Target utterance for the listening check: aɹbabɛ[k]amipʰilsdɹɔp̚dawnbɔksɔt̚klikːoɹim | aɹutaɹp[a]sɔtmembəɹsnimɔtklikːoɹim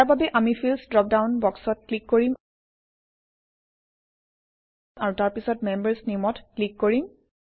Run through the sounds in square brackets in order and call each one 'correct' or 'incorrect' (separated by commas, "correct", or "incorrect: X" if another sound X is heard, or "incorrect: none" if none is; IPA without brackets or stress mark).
incorrect: ʔ, incorrect: i